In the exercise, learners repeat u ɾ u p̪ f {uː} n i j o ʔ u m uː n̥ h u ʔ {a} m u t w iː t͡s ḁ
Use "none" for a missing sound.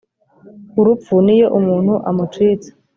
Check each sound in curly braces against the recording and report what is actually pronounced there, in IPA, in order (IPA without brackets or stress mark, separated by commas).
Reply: u, a